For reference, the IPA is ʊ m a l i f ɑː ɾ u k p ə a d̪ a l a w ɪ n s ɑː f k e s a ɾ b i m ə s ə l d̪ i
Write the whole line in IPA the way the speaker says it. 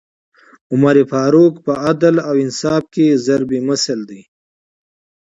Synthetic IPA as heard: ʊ m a ɾ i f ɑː ɾ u k p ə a d̪ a l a w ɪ n s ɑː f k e z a ɾ b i m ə s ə l d̪ i

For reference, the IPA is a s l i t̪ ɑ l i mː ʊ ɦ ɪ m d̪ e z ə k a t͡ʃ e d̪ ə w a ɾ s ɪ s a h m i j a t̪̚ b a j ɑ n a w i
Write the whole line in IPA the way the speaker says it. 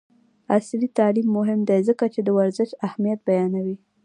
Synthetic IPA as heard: a s l i t̪ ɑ l i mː ʊ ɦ ɪ m d̪ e z ə k a t͡ʃ e d̪ ə w a ɾ z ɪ ʃ a h m i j a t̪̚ b a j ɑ n a w i

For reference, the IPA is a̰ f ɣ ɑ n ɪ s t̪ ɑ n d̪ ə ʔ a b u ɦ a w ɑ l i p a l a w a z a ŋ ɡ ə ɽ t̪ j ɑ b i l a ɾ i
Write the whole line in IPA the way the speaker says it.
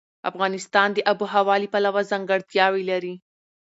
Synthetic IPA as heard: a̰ f ɣ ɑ n ɪ s t̪ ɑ n d̪ ə ʔ a b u ɦ a w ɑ l i p a l a w a z a ŋ ɡ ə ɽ t̪ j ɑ w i l a ɾ i

